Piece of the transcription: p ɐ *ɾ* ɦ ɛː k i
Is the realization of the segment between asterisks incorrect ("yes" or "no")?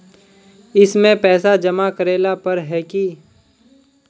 no